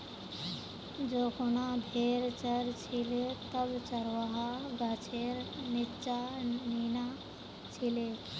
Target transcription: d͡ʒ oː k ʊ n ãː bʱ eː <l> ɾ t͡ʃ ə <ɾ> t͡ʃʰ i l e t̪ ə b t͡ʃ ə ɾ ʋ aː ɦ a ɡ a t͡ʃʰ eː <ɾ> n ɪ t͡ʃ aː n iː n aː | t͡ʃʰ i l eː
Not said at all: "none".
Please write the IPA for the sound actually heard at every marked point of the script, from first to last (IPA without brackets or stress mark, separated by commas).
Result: none, ɾ, ɾ